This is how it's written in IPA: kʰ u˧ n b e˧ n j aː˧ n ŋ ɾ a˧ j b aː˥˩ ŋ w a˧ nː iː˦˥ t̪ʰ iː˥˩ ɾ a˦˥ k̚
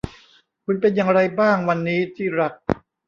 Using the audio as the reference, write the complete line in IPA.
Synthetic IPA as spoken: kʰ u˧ n p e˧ n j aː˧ ŋ ɾ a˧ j b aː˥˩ ŋ w a˧ nː iː˦˥ t̪ʰ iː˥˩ ɾ a˦˥ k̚